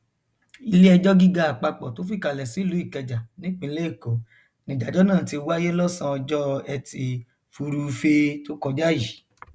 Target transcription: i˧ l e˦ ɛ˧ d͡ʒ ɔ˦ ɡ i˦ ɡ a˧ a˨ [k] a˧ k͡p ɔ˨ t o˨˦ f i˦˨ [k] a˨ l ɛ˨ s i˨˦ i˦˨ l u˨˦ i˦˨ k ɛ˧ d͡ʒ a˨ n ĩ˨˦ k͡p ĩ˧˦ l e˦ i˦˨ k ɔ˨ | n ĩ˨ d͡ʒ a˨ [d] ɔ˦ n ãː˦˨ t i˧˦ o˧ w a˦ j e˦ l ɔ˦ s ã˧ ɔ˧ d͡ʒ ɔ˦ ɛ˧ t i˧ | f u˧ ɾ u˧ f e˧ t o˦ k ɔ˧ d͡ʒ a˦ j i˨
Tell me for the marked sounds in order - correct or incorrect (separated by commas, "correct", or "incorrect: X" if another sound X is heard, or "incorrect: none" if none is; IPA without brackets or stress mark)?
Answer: incorrect: k͡p, correct, incorrect: d͡ʒ